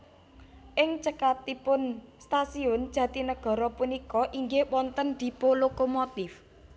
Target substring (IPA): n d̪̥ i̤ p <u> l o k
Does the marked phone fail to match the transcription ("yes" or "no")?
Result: yes